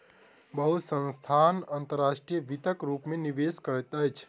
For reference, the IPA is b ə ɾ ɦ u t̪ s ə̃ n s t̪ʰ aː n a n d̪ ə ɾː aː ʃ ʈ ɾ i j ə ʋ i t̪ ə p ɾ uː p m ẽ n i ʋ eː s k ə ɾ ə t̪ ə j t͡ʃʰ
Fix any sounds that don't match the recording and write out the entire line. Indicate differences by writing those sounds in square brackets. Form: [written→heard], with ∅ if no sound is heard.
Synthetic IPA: b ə [ɾ→∅] ɦ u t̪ s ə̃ n s t̪ʰ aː n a n [d̪→t̪] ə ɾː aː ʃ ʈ ɾ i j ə ʋ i t̪ ə [p→k] ɾ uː p m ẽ n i ʋ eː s k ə ɾ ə t̪ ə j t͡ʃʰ